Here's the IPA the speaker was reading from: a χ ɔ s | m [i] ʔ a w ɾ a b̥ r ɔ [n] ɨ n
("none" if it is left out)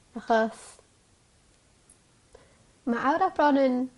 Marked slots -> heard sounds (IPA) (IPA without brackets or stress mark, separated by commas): a, n